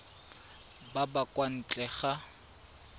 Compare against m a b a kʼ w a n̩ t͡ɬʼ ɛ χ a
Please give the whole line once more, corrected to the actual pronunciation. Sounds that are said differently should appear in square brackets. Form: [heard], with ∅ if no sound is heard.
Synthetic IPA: [b] a b a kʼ w a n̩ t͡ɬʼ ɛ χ a